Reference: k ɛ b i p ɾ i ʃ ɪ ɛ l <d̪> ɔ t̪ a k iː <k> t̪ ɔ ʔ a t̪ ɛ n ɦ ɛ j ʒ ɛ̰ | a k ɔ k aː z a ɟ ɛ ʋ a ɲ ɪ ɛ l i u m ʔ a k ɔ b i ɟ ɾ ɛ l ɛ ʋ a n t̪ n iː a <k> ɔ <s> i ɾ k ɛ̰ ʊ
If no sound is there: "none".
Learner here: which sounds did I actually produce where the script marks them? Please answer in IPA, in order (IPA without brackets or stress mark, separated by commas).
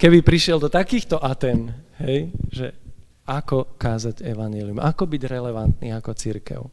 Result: d̪, x, k, t͡s